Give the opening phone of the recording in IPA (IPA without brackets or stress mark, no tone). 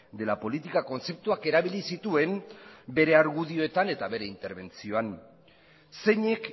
d̪